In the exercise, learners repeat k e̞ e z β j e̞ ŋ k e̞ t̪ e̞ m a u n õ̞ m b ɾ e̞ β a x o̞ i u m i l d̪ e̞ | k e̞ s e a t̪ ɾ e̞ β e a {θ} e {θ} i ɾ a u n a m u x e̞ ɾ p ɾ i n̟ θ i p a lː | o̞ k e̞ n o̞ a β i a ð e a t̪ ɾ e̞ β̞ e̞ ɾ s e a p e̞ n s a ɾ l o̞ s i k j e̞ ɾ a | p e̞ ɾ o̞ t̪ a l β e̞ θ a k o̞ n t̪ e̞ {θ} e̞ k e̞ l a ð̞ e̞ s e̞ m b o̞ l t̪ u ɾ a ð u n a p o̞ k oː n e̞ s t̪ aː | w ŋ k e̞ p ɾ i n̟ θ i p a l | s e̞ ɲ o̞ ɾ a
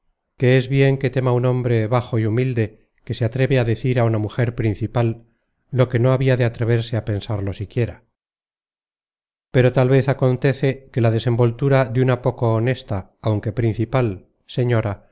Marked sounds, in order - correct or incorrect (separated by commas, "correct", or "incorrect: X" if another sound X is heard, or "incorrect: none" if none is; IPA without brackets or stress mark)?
incorrect: ð, correct, correct